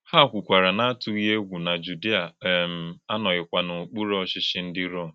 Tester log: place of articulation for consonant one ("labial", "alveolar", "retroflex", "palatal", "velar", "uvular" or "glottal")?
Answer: glottal